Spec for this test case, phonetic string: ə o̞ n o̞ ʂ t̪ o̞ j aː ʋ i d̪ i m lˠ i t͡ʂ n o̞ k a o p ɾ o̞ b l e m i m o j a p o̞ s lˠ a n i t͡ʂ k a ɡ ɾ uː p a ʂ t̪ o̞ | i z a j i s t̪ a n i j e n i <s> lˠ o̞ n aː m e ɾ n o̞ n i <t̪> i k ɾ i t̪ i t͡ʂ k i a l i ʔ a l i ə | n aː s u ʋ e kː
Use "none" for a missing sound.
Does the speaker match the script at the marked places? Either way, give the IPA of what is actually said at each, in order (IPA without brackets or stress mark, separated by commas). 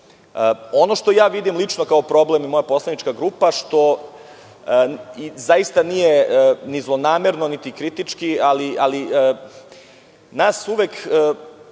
z, t̪